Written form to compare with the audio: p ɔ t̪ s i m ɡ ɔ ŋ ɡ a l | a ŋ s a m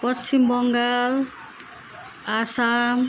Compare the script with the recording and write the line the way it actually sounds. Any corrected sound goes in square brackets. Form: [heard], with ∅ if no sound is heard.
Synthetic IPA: p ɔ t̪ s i m [b] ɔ ŋ ɡ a l | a [∅] s a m